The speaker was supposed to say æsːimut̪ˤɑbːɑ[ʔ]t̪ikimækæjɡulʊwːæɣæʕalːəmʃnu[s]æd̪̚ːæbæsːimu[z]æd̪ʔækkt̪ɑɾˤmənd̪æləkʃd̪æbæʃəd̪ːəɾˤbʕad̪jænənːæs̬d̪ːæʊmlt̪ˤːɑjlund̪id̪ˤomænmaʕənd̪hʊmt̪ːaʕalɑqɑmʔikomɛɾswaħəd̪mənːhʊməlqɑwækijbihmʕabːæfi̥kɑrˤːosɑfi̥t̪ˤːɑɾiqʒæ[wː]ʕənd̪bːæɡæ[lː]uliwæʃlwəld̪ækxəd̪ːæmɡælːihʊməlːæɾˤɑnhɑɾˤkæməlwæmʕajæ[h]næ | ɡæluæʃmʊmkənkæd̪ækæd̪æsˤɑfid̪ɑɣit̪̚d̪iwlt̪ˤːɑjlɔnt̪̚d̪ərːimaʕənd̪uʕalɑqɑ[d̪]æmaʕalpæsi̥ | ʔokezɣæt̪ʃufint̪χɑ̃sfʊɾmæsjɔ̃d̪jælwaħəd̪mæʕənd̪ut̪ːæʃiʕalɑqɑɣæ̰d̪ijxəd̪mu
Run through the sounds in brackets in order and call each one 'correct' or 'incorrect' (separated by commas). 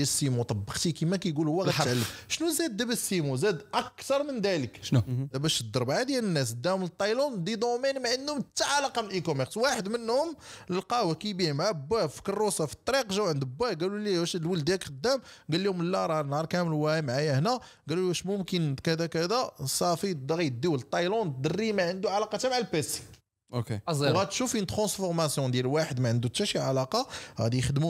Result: incorrect, incorrect, correct, incorrect, incorrect, correct, incorrect